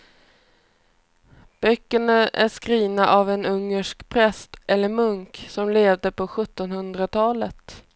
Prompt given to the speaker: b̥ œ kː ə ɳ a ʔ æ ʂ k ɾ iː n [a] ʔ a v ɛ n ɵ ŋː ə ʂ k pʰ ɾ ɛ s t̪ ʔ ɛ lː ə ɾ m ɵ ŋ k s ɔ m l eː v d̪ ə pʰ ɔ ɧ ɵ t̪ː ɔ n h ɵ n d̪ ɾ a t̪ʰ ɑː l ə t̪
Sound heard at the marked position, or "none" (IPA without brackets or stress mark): a